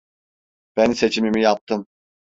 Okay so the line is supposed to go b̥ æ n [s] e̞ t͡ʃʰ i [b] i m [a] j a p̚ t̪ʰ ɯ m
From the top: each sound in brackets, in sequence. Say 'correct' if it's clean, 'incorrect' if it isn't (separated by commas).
correct, incorrect, incorrect